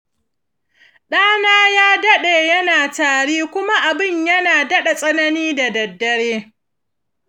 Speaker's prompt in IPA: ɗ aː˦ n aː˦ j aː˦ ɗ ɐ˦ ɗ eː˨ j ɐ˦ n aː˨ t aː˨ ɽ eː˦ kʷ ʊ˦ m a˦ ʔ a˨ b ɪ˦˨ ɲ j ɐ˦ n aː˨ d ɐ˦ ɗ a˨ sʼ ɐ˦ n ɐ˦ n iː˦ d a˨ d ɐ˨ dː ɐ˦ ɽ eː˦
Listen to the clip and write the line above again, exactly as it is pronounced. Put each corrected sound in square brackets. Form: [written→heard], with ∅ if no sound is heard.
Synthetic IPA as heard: ɗ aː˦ n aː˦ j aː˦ [ɗ→d] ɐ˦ ɗ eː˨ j ɐ˦ n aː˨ t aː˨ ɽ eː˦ kʷ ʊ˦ m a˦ ʔ a˨ b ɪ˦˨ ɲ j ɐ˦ n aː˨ d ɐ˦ ɗ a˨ sʼ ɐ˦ n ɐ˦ n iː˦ d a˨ d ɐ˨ dː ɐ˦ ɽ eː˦